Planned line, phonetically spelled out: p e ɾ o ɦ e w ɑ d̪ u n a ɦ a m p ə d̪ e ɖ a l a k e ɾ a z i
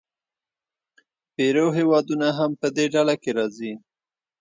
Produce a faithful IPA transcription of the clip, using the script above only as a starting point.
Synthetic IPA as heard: p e ɾ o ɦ e w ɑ d̪ u n a ɦ a m p ə d̪ e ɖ a l a k e ɾ ɑ z i